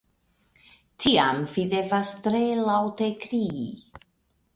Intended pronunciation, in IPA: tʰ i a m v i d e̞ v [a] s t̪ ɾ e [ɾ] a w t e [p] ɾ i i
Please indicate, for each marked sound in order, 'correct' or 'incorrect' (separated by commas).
correct, incorrect, incorrect